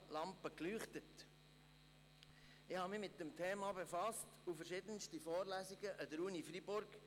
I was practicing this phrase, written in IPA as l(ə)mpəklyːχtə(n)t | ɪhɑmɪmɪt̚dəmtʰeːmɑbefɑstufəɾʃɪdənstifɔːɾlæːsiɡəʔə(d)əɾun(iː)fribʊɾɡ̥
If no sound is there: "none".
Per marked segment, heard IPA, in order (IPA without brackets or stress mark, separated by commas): ɑ, none, d, i